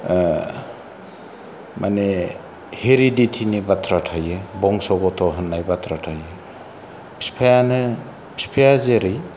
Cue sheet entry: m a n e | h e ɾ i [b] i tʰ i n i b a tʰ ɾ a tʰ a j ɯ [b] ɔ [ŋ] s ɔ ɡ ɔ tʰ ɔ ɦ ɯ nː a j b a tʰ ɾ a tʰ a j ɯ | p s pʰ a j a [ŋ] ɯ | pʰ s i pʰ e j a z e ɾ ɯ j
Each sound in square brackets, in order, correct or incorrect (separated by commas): incorrect, correct, correct, incorrect